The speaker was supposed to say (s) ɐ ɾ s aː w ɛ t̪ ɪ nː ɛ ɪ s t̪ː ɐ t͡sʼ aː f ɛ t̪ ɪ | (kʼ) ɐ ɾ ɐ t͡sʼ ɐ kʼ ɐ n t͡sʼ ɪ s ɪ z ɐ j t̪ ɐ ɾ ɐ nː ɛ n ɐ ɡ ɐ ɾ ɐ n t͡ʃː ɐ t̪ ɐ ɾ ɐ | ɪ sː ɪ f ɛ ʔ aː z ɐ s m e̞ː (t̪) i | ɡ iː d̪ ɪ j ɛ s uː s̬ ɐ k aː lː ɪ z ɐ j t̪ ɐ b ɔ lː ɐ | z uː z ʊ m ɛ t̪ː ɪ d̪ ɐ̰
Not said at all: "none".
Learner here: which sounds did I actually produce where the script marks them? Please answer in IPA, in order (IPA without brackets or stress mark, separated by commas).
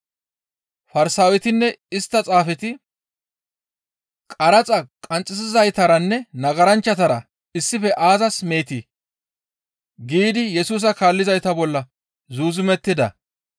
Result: f, kʼ, t̪